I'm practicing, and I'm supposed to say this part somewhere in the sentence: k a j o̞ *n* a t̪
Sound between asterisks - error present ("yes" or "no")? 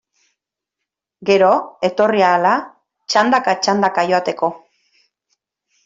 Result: yes